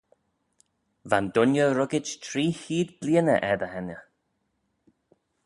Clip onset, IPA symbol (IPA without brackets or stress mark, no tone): v